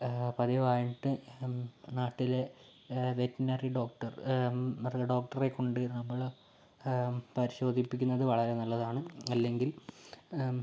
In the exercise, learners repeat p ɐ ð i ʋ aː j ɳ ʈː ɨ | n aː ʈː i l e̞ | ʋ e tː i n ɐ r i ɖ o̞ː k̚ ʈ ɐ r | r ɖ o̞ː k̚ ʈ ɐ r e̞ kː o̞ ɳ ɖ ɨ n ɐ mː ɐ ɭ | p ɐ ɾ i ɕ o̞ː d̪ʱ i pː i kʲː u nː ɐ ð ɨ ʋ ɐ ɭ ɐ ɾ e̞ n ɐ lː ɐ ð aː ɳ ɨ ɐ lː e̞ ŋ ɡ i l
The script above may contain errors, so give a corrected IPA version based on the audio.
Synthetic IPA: p ɐ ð i ʋ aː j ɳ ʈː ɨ | n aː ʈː i l e̞ | ʋ e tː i n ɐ r i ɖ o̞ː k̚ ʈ ɐ r | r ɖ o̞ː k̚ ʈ ɐ r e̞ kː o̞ ɳ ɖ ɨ n ɐ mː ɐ ɭ | p ɐ ɾ i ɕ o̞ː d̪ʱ i pː i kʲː u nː ɐ ð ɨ ʋ ɐ ɭ ɐ ɾ e̞ n ɐ lː ɐ ð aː ɳ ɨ ɐ lː e̞ ŋ ɡ i l

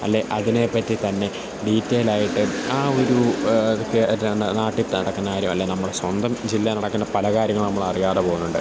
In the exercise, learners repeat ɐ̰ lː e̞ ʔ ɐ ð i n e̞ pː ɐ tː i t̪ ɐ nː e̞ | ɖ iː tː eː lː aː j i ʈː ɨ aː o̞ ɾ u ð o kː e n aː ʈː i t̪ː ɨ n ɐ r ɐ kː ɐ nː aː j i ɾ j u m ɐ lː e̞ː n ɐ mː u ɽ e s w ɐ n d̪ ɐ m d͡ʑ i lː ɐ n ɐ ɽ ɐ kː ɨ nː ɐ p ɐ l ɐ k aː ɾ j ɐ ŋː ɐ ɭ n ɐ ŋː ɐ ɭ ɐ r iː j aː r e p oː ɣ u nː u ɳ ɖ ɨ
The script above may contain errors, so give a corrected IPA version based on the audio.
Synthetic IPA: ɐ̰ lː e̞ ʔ ɐ ð i n e̞ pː ɐ tː i t̪ ɐ nː e̞ | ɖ iː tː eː l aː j i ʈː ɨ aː o̞ ɾ u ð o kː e n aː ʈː i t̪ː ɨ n ɐ ɽ ɐ kː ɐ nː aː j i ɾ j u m ɐ lː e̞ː n ɐ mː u ɽ e s w ɐ n d̪ ɐ m d͡ʑ i lː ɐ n ɐ ɽ ɐ kː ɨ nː ɐ p ɐ l ɐ k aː ɾ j ɐ ŋː ɐ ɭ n ɐ mː ɐ ɭ ɐ r i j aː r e p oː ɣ u nː u ɳ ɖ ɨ

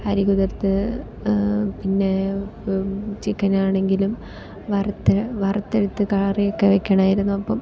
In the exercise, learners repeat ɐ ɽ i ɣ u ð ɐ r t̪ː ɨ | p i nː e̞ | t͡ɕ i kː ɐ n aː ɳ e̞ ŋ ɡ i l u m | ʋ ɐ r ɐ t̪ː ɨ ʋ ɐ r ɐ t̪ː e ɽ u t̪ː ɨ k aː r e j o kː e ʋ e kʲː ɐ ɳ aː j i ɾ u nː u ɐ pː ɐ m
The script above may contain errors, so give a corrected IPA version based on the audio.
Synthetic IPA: ɐ ɾ i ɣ u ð ɐ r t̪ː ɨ | p i nː e̞ | t͡ɕ i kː ɐ n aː ɳ e̞ ŋ ɡ i l u m | ʋ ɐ r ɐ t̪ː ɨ ʋ ɐ r ɐ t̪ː e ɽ u t̪ː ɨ k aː r i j o kː e ʋ e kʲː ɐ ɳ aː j i ɾ u nː u ɐ pː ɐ m

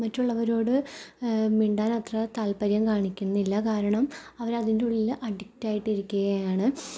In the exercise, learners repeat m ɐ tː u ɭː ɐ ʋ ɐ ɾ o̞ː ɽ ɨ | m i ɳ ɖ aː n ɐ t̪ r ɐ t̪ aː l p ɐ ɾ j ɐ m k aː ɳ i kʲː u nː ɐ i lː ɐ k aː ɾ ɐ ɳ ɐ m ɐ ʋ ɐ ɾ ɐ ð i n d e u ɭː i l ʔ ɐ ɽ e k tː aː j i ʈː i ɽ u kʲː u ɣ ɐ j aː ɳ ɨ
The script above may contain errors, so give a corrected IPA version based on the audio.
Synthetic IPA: m ɐ tː u ɭː ɐ ʋ ɐ ɾ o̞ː ɽ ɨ | m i ɳ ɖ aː n ɐ t̪ r ɐ t̪ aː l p ɐ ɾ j ɐ m k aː ɳ i kʲː u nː ɐ i lː ɐ k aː ɾ ɐ ɳ ɐ m ɐ ʋ ɐ ɾ ɐ ð i n d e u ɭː i l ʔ ɐ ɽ i k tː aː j i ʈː i ɾ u kʲː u ɣ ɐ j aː ɳ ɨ

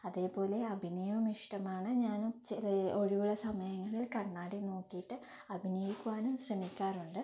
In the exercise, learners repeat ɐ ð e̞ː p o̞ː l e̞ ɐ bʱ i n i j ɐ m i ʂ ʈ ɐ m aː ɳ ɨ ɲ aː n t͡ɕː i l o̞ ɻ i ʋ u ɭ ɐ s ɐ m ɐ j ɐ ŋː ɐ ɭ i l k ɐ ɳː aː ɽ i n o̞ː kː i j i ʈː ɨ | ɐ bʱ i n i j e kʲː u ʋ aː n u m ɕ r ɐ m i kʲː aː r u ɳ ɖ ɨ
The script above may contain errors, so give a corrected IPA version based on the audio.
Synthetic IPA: ɐ ð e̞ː p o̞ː l e̞ ɐ bʱ i n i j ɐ m i ʂ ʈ ɐ m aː ɳ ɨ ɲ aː n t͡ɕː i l o̞ ɻ i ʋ u ɭ ɐ s ɐ m ɐ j ɐ ŋː ɐ ɭ i l k ɐ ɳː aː ɽ i n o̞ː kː i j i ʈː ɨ | ɐ bʱ i n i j i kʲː u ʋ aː n u m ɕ r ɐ m i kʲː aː r u ɳ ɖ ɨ

